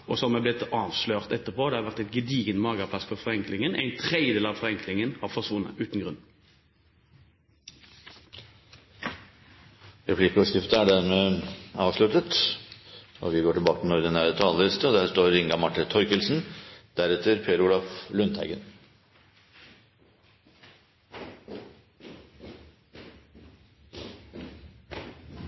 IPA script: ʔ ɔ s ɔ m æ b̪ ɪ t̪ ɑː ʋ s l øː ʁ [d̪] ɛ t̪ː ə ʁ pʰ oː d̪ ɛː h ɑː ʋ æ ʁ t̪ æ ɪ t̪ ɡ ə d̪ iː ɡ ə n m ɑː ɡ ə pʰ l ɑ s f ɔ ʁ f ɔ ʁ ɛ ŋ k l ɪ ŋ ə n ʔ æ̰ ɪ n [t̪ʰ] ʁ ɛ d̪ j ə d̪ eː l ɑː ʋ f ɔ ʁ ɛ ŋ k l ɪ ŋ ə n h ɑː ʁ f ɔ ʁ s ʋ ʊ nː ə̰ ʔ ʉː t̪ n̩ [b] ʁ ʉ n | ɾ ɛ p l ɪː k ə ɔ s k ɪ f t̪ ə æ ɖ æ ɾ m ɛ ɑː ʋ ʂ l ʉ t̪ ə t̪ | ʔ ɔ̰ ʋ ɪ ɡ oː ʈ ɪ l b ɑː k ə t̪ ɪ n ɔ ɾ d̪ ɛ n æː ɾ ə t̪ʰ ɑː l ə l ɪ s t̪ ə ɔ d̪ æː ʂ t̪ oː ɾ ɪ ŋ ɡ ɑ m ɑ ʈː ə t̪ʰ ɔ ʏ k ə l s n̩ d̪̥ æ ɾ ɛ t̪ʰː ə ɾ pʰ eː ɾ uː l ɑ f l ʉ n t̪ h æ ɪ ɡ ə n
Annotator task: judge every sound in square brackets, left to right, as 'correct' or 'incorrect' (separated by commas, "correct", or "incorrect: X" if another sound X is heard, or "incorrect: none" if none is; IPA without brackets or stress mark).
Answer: incorrect: t̪, correct, incorrect: ɡ